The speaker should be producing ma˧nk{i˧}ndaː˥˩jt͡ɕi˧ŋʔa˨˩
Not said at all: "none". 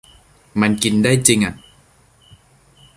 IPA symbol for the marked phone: i˧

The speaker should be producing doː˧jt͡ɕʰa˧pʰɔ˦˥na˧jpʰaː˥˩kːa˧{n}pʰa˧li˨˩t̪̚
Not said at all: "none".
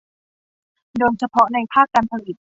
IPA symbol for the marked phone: n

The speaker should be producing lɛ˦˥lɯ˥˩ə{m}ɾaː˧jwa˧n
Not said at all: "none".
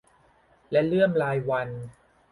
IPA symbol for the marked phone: m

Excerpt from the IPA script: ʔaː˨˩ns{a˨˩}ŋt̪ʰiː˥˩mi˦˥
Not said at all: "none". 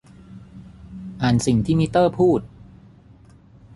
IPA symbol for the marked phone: i˨˩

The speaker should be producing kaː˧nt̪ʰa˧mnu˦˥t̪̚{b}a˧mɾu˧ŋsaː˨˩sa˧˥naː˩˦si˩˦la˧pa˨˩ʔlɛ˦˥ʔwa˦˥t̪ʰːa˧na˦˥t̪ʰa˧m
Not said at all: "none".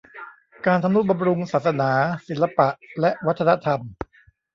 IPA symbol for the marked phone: b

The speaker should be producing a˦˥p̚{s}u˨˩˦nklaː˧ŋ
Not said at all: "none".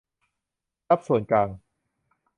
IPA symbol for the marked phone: s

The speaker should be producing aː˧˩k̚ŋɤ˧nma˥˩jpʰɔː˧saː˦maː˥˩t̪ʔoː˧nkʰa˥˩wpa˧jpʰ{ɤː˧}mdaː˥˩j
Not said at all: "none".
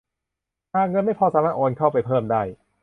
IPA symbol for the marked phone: ɤː˥˩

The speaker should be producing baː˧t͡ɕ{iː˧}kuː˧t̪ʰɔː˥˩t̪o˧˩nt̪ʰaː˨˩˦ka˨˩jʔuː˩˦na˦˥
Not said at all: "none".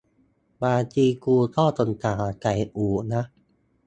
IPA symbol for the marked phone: iː˧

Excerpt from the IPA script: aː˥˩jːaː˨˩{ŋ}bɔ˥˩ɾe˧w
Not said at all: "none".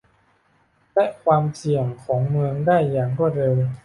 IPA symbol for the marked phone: ŋ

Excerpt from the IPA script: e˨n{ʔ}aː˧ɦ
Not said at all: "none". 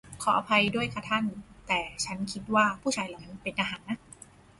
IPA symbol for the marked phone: ʔ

